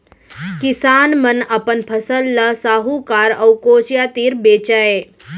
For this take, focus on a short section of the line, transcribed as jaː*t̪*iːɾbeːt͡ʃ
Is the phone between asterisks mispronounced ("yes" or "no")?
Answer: no